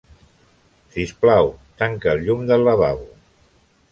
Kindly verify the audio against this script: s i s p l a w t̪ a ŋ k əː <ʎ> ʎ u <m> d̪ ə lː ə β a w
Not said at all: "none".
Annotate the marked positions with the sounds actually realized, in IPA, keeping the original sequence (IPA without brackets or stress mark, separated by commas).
l, m